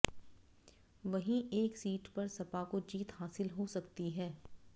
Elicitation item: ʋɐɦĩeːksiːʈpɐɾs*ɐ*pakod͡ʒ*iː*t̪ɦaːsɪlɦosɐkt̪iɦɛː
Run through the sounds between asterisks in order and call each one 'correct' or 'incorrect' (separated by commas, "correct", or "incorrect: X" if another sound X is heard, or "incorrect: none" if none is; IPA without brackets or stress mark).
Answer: correct, correct